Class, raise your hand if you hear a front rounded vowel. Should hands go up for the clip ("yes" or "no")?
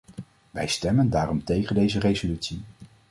yes